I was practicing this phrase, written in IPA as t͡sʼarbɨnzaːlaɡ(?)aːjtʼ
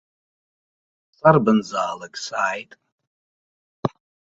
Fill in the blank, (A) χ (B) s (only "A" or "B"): B